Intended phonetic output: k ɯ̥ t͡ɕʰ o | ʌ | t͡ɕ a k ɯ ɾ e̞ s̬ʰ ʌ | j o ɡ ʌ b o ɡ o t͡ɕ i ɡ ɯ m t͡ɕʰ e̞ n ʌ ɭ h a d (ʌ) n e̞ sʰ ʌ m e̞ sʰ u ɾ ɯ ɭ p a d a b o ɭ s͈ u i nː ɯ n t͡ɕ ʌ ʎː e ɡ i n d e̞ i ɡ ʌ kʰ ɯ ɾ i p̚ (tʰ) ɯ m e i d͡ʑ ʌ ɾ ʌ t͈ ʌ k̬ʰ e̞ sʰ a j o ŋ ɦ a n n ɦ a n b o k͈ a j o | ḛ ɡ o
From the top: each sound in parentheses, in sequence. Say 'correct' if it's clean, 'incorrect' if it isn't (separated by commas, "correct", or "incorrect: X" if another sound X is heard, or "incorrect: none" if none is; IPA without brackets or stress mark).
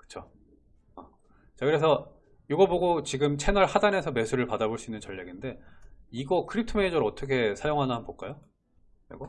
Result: incorrect: a, correct